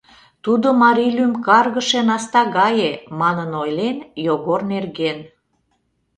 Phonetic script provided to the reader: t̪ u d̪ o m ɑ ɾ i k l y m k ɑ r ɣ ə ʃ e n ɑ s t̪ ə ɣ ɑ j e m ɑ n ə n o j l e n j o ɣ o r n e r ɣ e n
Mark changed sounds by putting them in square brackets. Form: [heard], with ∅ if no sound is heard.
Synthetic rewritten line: t̪ u d̪ o m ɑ ɾ i [∅] l y m k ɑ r ɣ ə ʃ e n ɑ s t̪ [ɑ] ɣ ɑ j e m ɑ n ə n o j l e n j o ɣ o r n e r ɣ e n

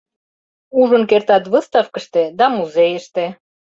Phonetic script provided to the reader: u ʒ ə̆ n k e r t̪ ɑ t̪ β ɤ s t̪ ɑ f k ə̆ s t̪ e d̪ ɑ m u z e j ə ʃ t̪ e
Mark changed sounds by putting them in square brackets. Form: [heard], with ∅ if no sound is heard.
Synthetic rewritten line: u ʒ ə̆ n k e r t̪ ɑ t̪ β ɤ s t̪ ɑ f k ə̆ [ʃ] t̪ e d̪ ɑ m u z e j ə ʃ t̪ e

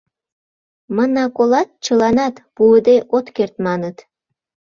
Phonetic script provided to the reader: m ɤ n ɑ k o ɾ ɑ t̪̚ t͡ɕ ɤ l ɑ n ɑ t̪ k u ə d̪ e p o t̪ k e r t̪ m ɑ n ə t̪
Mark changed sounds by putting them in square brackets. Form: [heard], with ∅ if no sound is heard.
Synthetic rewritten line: m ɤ n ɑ k o [l] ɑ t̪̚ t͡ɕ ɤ l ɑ n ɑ t̪ [p] u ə d̪ e [ʔ] o t̪ k e r t̪ m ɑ n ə t̪

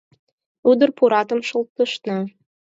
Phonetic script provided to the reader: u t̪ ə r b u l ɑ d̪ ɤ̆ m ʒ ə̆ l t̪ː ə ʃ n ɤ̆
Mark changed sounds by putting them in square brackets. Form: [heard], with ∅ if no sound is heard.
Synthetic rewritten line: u [d̪] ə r [p] u [ɾ] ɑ [t̪] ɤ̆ m [ʃ] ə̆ l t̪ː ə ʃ n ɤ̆

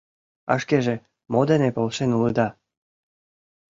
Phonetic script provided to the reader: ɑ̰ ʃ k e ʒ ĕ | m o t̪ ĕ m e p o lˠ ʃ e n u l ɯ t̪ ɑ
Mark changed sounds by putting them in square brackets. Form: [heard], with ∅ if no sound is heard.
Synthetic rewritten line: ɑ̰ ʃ k e ʒ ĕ | m o [d̪] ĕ [n] e p o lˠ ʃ e n u l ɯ [d̪] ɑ

